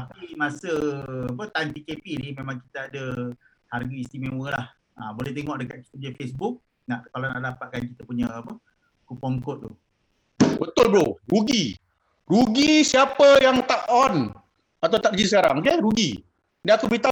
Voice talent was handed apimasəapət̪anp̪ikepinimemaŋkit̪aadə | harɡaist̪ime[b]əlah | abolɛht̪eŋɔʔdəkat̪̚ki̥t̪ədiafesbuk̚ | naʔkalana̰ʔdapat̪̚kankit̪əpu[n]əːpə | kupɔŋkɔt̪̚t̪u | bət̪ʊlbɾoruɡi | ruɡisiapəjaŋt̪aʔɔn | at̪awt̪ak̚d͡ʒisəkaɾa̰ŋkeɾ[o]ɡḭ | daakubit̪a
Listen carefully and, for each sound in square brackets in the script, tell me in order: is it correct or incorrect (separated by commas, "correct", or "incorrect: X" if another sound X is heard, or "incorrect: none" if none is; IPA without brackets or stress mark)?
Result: incorrect: w, incorrect: ɲ, incorrect: u